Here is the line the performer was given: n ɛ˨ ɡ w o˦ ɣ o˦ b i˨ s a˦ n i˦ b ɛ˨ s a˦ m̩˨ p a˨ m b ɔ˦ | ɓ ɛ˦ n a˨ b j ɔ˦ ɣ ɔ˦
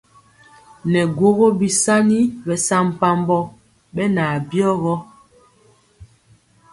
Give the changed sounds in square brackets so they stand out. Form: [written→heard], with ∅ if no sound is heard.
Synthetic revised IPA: n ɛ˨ ɡ w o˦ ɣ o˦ b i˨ s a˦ n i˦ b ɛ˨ s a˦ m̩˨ p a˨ m b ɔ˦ | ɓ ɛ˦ n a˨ b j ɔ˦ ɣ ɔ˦